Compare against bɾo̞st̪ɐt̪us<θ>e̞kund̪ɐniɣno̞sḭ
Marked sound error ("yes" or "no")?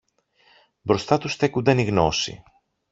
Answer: no